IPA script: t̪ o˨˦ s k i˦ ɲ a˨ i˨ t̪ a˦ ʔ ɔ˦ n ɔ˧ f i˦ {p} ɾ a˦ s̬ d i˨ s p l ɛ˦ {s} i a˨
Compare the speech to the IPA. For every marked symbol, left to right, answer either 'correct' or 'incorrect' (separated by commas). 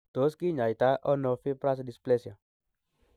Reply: correct, correct